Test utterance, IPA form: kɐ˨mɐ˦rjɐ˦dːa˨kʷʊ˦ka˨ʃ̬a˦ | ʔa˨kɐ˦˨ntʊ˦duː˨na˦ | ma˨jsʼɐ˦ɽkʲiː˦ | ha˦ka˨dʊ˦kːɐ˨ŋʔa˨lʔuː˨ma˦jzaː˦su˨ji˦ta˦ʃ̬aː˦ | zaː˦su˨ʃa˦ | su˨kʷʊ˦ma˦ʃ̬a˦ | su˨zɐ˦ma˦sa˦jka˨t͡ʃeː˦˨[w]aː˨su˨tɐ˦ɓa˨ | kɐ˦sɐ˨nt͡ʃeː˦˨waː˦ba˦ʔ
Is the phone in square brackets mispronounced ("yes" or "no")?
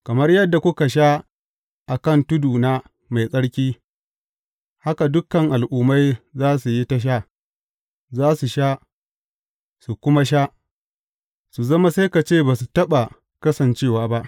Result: yes